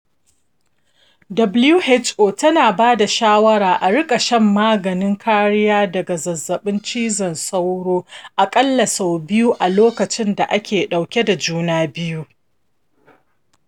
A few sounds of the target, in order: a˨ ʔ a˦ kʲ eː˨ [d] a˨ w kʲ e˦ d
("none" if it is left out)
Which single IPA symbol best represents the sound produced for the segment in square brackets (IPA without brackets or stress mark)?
ɗ